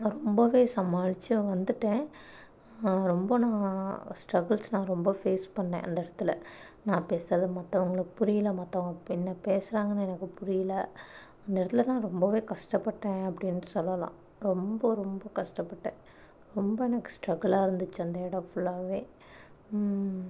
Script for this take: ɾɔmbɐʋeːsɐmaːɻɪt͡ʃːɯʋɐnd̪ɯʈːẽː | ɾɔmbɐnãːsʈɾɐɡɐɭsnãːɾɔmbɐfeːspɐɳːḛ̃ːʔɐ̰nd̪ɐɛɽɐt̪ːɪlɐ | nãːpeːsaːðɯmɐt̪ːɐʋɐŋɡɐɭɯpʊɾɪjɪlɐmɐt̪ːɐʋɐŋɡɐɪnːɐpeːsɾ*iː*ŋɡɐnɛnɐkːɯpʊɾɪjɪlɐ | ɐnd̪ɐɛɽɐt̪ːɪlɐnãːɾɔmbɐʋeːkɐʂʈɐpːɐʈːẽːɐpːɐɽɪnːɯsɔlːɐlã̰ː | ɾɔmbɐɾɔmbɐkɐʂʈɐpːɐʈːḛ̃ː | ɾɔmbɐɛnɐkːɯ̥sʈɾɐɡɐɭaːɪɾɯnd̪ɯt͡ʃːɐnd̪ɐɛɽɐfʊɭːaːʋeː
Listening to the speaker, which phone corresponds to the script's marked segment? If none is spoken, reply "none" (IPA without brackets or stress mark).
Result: aː